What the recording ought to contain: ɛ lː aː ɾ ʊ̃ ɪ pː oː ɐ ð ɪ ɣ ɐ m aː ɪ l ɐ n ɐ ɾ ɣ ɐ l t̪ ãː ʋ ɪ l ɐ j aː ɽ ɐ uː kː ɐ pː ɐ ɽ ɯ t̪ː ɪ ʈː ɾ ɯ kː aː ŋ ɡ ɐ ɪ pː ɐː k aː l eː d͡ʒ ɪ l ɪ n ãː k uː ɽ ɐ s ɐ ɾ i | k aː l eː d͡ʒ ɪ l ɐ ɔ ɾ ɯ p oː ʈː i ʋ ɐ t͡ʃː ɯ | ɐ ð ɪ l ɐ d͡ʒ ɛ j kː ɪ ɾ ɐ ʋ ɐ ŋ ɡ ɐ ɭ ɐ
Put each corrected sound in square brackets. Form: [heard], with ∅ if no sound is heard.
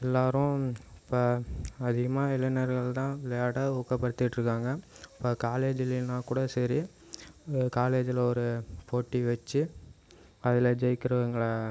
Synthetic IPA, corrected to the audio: ɛ lː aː ɾ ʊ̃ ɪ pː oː ɐ ð ɪ ɣ ɐ m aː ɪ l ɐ n ɐ ɾ ɣ ɐ [ɭ] t̪ ãː ʋ ɪ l ɐ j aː ɽ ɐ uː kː ɐ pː ɐ ɽ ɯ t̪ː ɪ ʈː ɾ ɯ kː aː ŋ ɡ ɐ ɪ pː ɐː k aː l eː d͡ʒ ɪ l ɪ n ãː k uː ɽ ɐ s ɐ ɾ i | k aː l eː d͡ʒ ɪ l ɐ ɔ ɾ ɯ p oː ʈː i ʋ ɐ t͡ʃː ɯ | ɐ ð ɪ l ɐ d͡ʒ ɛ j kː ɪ ɾ ɐ ʋ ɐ ŋ ɡ ɐ ɭ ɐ